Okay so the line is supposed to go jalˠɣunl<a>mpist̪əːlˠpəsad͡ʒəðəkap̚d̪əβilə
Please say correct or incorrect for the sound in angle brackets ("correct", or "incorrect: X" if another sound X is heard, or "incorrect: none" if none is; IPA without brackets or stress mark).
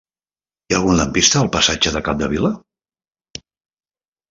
incorrect: ə